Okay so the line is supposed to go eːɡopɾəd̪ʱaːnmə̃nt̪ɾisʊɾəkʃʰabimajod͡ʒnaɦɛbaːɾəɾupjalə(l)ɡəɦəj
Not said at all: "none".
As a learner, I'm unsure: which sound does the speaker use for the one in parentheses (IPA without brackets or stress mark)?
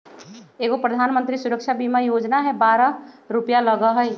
none